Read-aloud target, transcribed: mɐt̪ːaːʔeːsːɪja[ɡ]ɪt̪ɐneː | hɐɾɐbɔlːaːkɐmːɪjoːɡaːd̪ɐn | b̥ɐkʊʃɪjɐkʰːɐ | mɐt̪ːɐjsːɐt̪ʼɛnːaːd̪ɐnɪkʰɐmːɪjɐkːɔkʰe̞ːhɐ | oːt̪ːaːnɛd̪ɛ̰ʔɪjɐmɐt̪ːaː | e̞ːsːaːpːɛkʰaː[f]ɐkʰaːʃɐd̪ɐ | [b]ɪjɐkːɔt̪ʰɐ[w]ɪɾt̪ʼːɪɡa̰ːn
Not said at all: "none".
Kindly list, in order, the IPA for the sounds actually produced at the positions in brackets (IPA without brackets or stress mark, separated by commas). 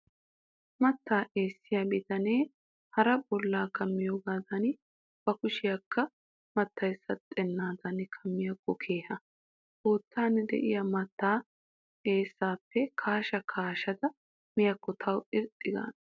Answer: b, ʃ, m, w